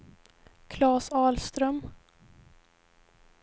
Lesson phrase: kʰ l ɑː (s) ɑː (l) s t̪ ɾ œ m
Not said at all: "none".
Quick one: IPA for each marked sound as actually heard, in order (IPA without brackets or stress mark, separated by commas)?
s, l